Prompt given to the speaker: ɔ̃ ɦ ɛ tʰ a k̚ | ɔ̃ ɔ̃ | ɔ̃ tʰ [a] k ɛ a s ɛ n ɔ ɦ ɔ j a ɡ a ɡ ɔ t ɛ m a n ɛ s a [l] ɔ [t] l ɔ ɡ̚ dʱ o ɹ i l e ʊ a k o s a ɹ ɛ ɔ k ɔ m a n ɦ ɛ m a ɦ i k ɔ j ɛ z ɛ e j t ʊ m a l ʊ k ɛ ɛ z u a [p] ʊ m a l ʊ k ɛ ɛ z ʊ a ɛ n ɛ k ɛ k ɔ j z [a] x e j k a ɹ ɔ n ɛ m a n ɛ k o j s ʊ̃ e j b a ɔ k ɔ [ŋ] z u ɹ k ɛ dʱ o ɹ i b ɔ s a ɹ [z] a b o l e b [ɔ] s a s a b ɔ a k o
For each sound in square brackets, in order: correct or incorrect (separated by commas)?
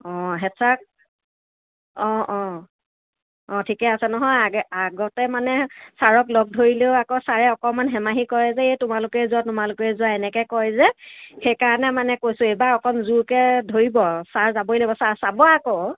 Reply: incorrect, incorrect, incorrect, incorrect, incorrect, incorrect, correct, correct